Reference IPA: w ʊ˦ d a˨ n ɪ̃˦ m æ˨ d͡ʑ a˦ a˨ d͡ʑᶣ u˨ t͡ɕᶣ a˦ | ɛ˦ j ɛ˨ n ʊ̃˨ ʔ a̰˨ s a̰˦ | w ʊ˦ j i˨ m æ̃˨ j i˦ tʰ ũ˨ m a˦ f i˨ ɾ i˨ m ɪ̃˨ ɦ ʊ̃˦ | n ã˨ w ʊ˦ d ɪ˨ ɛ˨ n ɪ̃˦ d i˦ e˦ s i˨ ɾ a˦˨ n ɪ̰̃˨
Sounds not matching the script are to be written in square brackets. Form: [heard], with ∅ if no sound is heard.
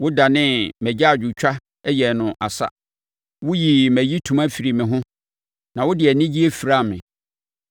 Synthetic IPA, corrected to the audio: w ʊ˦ d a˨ n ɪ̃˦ m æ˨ d͡ʑ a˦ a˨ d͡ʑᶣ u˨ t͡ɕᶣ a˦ | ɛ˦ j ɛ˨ n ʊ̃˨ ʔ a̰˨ s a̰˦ | w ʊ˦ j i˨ m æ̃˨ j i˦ tʰ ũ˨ m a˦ f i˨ ɾ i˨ m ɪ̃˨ ɦ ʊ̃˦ | n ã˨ w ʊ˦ d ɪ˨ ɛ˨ n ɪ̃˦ [d͡ʑ] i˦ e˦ [f] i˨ ɾ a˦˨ [m] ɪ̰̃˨